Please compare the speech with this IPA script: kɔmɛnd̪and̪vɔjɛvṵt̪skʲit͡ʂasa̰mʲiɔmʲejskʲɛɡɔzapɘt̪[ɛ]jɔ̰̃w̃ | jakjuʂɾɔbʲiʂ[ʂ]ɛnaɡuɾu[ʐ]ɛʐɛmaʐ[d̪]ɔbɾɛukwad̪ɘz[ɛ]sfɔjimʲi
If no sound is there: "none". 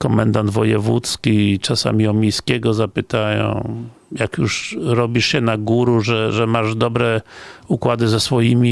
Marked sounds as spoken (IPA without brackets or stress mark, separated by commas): a, ɕ, ʐ, d̪, ɛ